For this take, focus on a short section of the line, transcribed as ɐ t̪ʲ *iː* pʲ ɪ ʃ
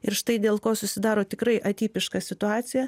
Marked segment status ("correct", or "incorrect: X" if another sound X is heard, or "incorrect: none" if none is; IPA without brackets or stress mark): correct